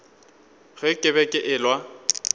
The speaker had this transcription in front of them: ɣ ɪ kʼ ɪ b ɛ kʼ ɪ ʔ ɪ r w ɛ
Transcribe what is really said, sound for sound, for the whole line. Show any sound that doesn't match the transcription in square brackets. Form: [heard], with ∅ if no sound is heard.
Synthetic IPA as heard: ɣ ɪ kʼ ɪ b ɛ kʼ ɪ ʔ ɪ [l] w [a]